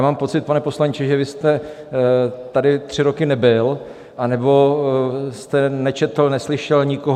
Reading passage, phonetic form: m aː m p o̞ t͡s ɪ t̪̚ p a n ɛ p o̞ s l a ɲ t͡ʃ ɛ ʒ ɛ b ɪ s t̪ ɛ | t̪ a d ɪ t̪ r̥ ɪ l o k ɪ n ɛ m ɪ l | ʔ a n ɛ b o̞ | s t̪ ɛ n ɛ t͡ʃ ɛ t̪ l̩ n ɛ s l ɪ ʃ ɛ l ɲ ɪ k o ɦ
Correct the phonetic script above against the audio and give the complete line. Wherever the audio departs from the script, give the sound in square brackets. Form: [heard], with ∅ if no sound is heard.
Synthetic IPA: m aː m p o̞ t͡s ɪ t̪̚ p a n ɛ p o̞ s l a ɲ t͡ʃ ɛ ʒ ɛ [v] ɪ s t̪ ɛ | t̪ a d ɪ t̪ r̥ ɪ [ɾ] o k ɪ n ɛ [b] ɪ l | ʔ a n ɛ b o̞ | s t̪ ɛ n ɛ t͡ʃ ɛ t̪ l̩ n ɛ s l ɪ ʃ ɛ l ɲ ɪ k o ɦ